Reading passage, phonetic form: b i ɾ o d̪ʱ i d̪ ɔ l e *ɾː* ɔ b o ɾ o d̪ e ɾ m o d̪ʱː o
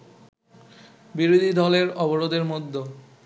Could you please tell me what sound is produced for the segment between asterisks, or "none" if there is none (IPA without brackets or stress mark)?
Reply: ɾ